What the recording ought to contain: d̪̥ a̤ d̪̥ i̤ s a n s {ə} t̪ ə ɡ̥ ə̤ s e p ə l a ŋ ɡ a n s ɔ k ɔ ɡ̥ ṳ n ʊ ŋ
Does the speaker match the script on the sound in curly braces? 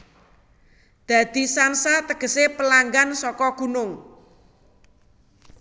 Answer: no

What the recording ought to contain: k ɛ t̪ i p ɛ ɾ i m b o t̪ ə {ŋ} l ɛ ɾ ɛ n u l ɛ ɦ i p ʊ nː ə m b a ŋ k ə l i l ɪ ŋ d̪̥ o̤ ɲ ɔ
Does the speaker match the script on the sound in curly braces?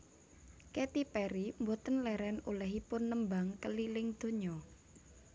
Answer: no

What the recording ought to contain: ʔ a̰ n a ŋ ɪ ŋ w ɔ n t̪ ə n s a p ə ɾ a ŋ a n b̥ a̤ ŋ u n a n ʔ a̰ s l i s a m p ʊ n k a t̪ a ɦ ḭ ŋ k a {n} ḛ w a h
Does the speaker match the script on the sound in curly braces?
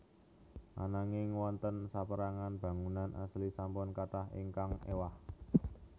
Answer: no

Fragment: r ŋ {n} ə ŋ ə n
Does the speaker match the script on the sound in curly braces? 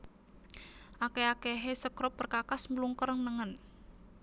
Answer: yes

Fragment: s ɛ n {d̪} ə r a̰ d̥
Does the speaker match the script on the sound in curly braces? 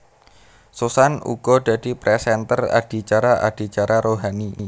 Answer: no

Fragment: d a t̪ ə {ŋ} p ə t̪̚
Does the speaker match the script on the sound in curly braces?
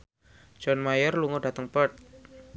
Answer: yes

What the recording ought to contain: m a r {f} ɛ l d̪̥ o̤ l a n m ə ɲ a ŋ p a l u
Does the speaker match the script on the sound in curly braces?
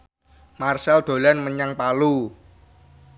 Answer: no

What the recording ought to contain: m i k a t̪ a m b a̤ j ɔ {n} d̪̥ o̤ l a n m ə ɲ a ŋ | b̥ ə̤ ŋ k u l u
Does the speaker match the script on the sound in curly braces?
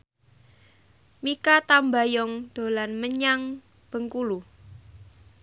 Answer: no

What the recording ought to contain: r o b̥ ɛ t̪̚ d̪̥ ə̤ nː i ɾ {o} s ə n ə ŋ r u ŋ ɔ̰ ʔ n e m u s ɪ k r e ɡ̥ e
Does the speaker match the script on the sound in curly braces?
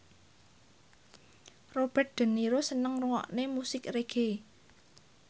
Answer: yes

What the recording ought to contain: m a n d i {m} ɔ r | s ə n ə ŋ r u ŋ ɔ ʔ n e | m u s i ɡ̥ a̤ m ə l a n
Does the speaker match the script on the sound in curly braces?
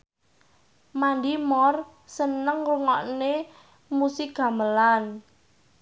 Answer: yes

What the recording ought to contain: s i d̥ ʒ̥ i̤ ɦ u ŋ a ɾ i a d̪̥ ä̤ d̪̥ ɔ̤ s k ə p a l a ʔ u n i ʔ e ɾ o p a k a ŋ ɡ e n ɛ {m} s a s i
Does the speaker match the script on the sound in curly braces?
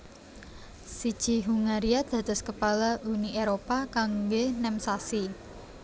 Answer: yes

